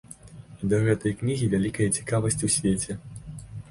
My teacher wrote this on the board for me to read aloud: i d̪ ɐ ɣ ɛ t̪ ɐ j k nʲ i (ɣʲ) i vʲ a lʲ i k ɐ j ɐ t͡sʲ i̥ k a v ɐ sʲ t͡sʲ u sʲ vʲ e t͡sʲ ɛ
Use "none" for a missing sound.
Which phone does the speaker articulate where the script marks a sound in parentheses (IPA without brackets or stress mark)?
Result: ɣʲ